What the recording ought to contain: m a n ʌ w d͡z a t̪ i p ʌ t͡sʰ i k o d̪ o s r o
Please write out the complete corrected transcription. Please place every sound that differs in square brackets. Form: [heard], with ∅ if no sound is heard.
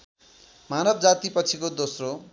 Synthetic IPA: m a n ʌ [b] d͡z a t̪ i p ʌ t͡sʰ i k o d̪ o s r o